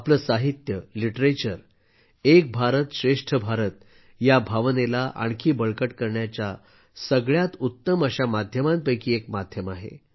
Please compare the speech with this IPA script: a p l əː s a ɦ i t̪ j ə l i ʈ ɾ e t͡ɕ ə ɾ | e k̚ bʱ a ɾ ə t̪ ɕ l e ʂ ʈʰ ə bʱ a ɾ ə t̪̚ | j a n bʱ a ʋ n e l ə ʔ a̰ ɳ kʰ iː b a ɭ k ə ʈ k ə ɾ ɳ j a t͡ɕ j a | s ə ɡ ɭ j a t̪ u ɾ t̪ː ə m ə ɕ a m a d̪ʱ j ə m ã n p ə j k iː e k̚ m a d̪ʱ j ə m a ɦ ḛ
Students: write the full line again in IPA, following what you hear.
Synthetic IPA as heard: a p l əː s a ɦ i t̪ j ə l i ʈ ɾ e t͡ɕ ə ɾ | e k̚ bʱ a ɾ ə t̪ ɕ ɾ e ʂ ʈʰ ə bʱ a ɾ ə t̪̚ | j a bʱ a ʋ n e l a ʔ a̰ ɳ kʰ iː b ə ɭ k ə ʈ k ə ɾ ɳ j a t͡ɕ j a | s ə ɡ ɭ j a t̪ u t̪ː ə m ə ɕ a m a d̪ʱ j ə m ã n p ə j k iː e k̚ m a d̪ʱ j ə m a ɦ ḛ